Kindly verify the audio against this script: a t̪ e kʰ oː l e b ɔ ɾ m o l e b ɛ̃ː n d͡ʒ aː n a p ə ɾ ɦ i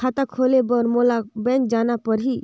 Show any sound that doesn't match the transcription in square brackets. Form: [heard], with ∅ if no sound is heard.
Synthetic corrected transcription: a t̪ [a] kʰ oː l e b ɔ ɾ m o l [a] b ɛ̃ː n d͡ʒ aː n a p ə ɾ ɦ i